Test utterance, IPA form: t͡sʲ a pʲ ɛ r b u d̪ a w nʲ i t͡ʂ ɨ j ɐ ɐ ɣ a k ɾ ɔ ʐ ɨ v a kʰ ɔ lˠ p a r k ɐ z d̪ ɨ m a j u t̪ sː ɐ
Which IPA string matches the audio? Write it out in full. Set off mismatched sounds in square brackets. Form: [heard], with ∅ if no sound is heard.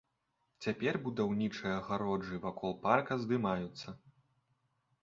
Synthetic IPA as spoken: t͡sʲ a pʲ ɛ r b u d̪ a w nʲ i t͡ʂ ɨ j ɐ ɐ ɣ a [∅] ɾ ɔ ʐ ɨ v a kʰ ɔ lˠ p a r k ɐ z d̪ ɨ m a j u t̪ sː ɐ